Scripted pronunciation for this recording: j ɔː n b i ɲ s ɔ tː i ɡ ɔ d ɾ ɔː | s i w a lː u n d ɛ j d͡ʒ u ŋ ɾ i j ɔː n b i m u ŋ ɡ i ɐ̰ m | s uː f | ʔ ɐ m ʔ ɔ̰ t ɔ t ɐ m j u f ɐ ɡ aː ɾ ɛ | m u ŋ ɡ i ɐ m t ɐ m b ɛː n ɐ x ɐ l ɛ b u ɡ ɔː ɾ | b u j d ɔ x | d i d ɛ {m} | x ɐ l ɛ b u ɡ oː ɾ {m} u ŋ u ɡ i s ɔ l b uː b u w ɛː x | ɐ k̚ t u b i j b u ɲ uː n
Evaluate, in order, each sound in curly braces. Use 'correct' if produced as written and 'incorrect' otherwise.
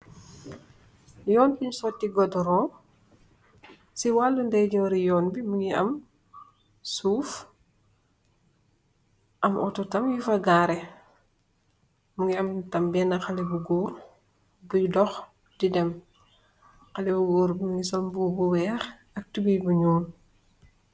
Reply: correct, incorrect: b

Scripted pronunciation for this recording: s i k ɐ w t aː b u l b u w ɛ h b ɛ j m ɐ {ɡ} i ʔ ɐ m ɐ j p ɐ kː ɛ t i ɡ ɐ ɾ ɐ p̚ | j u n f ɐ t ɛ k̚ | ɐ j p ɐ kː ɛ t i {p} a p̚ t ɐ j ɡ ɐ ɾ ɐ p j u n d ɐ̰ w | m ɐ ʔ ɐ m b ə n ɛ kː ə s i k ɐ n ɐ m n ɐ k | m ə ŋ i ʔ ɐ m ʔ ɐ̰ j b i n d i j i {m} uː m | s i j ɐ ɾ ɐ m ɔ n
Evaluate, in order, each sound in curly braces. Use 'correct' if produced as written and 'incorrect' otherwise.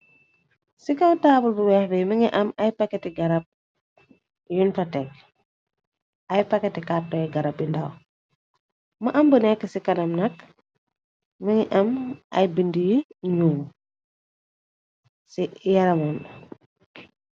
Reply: incorrect: ŋ, incorrect: k, incorrect: ɲ

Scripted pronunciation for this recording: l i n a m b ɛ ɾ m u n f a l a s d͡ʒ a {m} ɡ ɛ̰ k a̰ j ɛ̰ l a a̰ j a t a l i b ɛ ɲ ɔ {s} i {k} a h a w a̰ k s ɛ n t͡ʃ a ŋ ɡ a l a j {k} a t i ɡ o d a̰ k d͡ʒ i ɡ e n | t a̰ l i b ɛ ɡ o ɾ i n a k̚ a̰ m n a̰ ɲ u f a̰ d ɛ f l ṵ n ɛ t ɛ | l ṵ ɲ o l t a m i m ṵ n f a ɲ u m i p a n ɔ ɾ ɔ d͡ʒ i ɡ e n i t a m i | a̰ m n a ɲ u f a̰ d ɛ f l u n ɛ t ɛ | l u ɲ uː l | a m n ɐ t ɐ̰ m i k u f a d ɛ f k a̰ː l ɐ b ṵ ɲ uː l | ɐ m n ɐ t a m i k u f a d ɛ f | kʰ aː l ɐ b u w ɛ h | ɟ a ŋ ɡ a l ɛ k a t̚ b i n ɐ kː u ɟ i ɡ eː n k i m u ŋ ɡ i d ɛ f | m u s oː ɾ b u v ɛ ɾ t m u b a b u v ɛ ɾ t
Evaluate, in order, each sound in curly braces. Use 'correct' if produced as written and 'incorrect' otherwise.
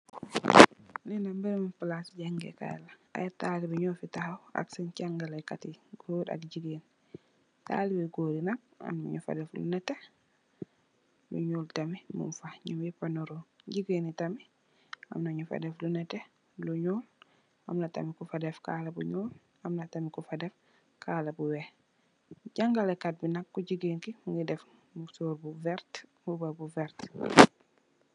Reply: incorrect: ŋ, incorrect: f, incorrect: t, correct

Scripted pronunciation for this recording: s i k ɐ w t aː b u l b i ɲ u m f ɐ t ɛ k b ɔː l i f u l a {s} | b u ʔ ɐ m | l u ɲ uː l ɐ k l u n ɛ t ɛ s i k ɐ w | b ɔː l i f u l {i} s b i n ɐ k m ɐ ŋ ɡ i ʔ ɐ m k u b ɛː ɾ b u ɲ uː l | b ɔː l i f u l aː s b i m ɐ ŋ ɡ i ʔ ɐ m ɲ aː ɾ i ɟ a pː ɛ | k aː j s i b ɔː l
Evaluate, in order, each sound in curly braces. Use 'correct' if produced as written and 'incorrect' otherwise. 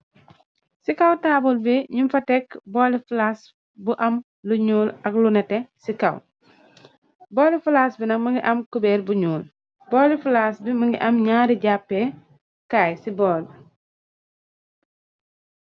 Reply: correct, incorrect: a

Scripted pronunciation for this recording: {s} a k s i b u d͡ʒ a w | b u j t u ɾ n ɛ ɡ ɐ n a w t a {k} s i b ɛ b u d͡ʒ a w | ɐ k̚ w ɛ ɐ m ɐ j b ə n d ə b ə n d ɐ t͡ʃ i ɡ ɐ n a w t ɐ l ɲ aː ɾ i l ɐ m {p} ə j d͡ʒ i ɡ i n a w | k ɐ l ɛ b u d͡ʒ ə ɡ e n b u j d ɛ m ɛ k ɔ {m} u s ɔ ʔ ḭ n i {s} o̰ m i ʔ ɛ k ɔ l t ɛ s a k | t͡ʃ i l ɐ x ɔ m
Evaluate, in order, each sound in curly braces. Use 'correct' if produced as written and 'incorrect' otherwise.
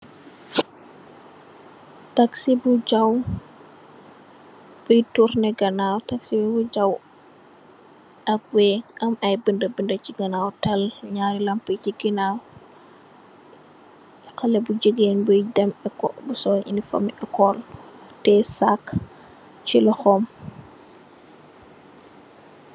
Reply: incorrect: t, correct, correct, incorrect: b, incorrect: f

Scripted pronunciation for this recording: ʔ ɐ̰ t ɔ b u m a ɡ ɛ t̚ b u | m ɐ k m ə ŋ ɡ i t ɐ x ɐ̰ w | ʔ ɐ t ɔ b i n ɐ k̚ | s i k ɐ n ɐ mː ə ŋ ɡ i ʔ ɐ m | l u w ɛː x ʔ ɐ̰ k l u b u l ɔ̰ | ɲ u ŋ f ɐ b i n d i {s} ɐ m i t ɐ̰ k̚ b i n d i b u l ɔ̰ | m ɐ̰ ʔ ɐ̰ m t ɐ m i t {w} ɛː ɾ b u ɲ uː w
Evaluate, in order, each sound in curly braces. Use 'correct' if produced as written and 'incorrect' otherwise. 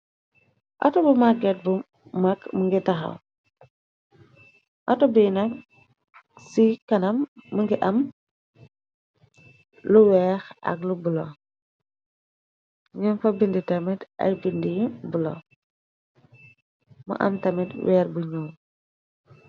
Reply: incorrect: t, correct

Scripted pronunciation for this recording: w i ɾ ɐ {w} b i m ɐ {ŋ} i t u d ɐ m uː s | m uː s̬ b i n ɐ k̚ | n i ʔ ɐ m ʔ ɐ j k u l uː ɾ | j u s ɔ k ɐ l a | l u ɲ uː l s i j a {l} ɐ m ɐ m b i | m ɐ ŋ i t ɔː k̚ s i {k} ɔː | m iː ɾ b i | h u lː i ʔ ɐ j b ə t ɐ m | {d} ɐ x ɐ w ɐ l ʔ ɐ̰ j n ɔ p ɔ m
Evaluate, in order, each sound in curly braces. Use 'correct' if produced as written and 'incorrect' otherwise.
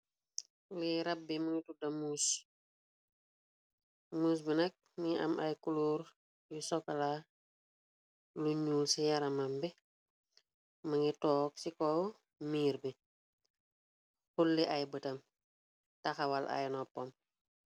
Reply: incorrect: b, correct, incorrect: ɾ, correct, incorrect: t

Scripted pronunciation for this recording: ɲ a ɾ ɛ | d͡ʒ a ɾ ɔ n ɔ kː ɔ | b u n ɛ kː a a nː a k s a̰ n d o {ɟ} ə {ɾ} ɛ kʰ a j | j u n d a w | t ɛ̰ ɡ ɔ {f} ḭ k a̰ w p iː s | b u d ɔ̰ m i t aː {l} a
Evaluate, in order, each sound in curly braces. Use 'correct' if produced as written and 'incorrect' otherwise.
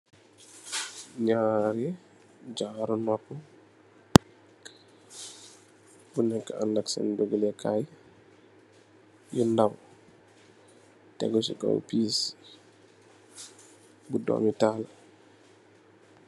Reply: incorrect: ɡ, incorrect: l, incorrect: s, correct

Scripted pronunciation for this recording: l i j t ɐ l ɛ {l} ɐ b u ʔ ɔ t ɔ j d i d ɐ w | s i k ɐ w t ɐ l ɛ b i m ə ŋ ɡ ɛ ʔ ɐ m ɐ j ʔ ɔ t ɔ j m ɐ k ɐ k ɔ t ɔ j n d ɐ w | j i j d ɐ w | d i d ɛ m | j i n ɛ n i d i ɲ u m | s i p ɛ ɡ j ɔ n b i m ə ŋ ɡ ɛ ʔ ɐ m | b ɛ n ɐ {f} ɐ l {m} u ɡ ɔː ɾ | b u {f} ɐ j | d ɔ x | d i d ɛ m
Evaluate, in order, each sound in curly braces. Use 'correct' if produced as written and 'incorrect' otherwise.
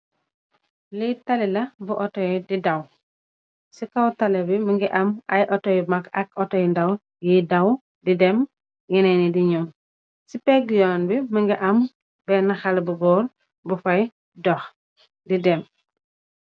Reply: correct, incorrect: x, incorrect: b, correct

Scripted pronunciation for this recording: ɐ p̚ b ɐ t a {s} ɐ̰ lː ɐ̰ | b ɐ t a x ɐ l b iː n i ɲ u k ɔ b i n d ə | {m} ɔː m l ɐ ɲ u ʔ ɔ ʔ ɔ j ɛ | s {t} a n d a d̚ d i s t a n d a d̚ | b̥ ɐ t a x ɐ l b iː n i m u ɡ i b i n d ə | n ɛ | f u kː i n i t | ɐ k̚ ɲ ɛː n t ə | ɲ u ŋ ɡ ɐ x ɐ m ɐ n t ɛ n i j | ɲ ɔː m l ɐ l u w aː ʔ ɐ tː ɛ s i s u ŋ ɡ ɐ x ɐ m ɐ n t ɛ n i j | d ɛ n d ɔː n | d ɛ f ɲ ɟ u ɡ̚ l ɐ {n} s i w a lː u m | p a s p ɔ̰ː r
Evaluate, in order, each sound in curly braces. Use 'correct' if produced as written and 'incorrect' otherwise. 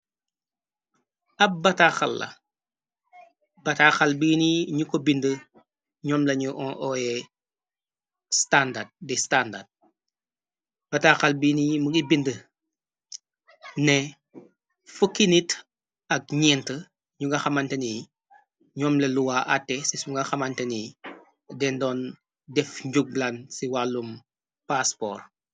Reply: incorrect: x, incorrect: ɲ, correct, correct

